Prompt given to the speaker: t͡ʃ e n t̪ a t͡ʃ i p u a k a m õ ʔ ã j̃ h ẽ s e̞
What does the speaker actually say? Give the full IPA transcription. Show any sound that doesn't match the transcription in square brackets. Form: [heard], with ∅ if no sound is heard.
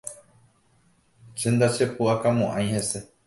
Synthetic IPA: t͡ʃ e n [d̪] a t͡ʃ [e] p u a k a m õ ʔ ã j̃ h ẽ s e̞